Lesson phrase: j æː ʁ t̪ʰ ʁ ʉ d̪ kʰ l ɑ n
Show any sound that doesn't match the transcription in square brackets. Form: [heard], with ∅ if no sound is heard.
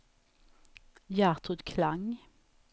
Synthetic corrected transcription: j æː ʁ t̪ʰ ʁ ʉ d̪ kʰ l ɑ [ŋ]